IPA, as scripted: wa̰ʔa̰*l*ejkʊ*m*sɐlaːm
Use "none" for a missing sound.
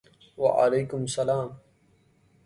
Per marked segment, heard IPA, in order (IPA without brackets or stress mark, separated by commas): l, m